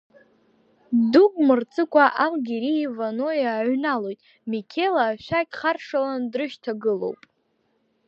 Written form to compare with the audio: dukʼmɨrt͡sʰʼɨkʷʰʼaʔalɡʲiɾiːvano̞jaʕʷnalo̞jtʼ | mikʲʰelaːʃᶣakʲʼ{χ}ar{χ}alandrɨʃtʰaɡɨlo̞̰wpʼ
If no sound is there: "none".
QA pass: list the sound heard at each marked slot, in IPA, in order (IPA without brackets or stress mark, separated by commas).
χ, ʂ